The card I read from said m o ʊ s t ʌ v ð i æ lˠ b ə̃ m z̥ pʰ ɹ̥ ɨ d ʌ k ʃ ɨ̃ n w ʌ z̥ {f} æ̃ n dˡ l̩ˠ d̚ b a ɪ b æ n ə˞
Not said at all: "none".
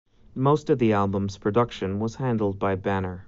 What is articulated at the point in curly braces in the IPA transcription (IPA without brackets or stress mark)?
h